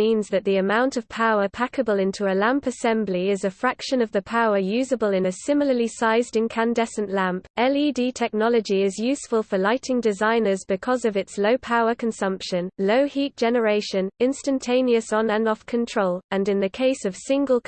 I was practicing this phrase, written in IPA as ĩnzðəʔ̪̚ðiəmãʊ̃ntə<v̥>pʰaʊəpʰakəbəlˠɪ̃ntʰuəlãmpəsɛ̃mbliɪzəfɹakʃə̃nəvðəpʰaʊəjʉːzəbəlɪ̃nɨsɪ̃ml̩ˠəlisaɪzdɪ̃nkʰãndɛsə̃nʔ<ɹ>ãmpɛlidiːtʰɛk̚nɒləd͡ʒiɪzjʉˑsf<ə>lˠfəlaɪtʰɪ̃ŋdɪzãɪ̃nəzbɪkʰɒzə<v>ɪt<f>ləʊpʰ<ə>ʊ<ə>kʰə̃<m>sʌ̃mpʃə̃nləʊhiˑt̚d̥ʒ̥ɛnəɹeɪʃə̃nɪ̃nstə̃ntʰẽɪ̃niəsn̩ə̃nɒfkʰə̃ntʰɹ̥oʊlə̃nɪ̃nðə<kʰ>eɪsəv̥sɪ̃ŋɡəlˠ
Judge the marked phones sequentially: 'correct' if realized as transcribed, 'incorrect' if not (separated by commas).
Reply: correct, incorrect, correct, correct, incorrect, incorrect, correct, incorrect, correct